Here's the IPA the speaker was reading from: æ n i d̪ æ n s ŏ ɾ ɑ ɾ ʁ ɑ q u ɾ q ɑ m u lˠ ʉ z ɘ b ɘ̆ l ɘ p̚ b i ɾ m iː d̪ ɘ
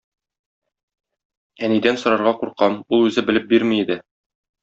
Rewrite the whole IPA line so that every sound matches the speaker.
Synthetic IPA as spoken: æ n i d̪ æ n s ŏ ɾ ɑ ɾ ʁ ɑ q u ɾ q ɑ m u lˠ ʉ z ɘ b ɘ̆ l ɘ p̚ b i ɾ m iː d̪ ɘ